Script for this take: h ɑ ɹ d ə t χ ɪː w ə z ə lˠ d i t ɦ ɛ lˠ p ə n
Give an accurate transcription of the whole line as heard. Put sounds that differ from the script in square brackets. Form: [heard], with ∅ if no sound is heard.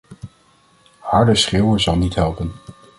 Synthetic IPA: h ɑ ɹ d ə [s] χ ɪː w ə z [ɑ] lˠ [n] i t ɦ ɛ lˠ p ə n